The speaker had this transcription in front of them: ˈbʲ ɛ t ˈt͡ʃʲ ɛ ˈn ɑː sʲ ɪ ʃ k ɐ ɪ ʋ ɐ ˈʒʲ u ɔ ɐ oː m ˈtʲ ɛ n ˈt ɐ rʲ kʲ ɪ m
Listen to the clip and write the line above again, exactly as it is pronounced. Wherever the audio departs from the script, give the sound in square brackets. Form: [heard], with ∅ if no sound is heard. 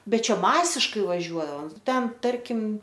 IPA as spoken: ˈbʲ ɛ t ˈt͡ʃʲ ɛ [ˈm] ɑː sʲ ɪ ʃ k ɐ ɪ ʋ ɐ ˈʒʲ u ɔ ɐ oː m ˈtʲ ɛ n ˈt ɐ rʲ kʲ ɪ m